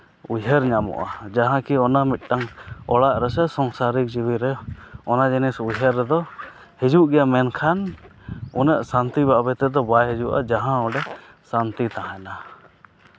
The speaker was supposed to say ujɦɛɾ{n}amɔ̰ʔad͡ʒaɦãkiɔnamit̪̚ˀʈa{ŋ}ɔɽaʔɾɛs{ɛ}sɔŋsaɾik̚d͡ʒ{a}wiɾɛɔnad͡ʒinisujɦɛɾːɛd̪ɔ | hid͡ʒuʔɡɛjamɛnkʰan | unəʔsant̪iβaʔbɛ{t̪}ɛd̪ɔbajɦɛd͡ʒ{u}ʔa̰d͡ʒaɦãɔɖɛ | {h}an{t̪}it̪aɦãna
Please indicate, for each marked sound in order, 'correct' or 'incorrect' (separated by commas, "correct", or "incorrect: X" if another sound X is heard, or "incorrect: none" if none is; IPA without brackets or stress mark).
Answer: incorrect: ɲ, correct, correct, incorrect: i, correct, correct, incorrect: s, correct